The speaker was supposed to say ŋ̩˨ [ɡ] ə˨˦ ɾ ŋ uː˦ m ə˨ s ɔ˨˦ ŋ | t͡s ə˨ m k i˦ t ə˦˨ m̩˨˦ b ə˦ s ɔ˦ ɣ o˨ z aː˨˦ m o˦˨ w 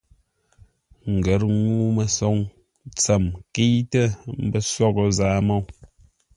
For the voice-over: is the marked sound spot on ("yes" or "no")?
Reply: yes